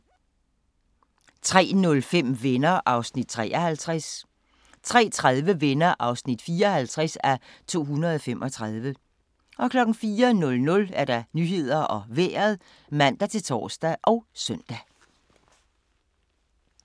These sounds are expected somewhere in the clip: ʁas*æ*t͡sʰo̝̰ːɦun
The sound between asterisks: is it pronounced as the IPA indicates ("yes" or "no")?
yes